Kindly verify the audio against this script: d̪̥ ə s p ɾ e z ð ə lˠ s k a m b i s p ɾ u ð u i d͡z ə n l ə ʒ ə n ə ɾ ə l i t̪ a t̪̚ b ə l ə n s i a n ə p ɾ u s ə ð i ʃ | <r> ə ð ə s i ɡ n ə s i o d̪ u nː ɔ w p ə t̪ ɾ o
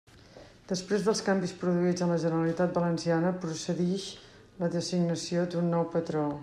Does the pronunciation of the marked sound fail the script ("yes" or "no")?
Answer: yes